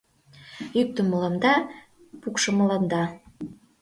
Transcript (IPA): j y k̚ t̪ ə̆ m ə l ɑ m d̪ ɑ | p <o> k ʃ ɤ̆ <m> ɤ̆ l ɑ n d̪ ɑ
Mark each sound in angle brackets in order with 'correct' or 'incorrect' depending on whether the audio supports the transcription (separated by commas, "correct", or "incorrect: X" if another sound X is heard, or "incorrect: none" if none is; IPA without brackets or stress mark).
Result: incorrect: u, correct